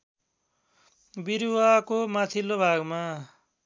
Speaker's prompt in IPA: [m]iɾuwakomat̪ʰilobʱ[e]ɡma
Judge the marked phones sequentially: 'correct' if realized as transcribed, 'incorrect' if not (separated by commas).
incorrect, incorrect